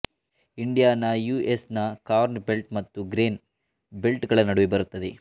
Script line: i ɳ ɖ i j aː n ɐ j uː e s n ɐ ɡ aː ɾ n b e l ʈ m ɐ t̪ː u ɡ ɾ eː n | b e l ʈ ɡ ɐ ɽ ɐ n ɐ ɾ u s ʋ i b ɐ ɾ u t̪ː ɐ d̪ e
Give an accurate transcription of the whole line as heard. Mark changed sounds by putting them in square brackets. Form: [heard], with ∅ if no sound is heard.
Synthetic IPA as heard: i ɳ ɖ i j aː n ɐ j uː e s n ɐ [k] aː ɾ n b e l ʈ m ɐ t̪ː u ɡ ɾ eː n | b e l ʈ ɡ ɐ [ɭ] ɐ n ɐ [ɽ] u [∅] ʋ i b ɐ ɾ u t̪ː ɐ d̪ e